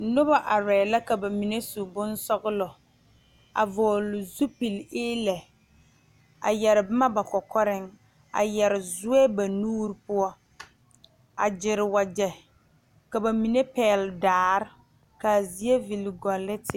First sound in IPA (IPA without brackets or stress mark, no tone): n